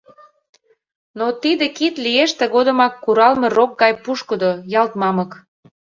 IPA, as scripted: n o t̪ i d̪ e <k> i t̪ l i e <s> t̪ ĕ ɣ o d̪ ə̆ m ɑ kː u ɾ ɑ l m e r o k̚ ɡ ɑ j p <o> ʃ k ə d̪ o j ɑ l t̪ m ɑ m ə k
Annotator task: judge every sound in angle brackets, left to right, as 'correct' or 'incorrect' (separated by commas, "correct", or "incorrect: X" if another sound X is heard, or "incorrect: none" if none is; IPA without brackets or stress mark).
correct, incorrect: ʃ, incorrect: u